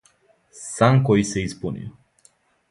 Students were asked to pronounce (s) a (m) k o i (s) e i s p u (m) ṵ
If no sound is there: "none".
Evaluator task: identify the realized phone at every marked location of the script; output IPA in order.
s, ŋ, s, n

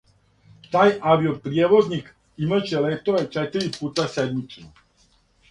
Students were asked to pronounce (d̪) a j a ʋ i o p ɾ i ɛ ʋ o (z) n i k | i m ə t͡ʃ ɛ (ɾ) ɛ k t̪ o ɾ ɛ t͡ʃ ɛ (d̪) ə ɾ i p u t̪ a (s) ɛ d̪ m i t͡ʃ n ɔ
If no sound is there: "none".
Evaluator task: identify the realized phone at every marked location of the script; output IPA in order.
t̪, z, l, t̪, s

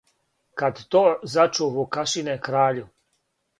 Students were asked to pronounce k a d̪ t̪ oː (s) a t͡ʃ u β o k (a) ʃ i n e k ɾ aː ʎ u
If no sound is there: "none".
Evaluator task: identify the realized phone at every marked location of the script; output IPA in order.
z, a

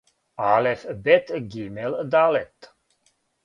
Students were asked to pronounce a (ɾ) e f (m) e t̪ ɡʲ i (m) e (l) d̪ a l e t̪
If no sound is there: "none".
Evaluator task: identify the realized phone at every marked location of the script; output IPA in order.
l, b, m, l

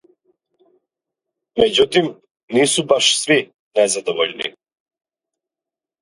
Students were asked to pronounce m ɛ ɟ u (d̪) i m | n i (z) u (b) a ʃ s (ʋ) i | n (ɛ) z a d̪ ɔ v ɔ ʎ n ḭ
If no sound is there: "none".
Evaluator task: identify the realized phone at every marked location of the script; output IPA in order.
t̪, s, b, v, ɛ

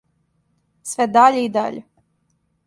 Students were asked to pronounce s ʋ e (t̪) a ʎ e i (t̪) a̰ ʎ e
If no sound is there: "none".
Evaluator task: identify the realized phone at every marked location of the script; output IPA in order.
d̪, d̪

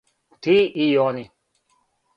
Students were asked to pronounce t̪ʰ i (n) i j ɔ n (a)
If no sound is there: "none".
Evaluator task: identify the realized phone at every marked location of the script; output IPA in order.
none, i

